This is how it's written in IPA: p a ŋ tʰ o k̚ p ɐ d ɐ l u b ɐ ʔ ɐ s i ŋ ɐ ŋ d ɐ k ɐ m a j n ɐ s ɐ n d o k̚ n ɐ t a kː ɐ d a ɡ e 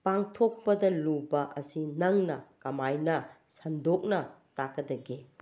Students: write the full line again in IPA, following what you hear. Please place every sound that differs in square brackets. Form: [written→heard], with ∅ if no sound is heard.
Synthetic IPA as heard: p a ŋ tʰ o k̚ p ɐ d ɐ l u b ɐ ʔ ɐ s i [ŋ→n] ɐ ŋ [d→n] ɐ k ɐ m a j n ɐ s ɐ n d o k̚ n ɐ t a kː ɐ d [a→ɐ] ɡ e